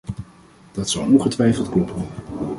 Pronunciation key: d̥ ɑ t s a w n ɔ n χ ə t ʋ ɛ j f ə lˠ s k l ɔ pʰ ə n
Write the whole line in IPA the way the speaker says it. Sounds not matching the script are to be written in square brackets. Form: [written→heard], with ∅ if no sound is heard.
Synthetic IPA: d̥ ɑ t s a w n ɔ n χ ə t ʋ ɛ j f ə lˠ [s→t] k l ɔ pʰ ə n